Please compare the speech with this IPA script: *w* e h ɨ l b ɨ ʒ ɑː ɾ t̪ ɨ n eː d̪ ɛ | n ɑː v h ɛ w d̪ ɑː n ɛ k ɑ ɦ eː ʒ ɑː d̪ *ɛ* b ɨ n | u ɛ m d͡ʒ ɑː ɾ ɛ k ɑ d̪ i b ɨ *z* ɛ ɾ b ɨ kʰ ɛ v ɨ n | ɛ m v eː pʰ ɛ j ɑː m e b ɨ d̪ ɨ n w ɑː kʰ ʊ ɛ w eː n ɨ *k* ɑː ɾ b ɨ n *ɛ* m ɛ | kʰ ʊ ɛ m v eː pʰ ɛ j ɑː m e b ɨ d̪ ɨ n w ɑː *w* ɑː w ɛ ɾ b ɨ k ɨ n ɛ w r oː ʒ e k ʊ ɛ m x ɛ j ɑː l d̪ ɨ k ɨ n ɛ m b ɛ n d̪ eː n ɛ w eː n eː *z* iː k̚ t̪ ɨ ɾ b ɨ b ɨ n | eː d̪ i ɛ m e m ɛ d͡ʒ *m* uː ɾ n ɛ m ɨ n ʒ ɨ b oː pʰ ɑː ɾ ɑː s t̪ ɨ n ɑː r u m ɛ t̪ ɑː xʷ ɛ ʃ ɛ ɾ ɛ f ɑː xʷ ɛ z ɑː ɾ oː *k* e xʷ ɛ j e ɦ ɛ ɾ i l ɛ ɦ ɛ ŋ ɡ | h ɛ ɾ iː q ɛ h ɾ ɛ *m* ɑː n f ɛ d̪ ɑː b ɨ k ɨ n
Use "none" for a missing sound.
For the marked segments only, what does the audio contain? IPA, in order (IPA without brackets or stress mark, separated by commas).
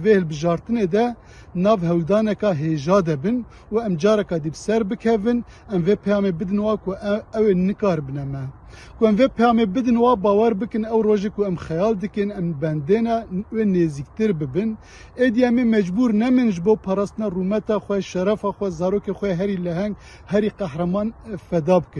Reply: v, ɛ, s, k, ɛ, b, z, b, k, m